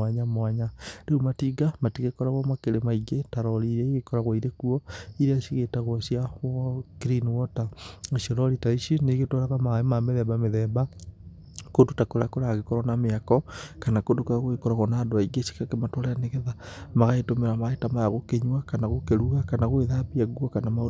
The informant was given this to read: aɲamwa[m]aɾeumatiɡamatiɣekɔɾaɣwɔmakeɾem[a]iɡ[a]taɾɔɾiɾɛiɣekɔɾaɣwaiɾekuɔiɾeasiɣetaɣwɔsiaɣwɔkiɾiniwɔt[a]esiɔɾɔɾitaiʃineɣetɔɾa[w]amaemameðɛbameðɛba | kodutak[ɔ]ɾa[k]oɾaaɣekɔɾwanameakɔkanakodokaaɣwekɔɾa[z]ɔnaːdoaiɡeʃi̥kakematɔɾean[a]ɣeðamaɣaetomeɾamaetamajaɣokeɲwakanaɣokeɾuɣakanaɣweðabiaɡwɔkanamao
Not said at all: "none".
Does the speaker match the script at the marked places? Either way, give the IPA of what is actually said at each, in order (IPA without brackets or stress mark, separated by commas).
ɲ, a, e, a, ɣ, o, k, ɣ, e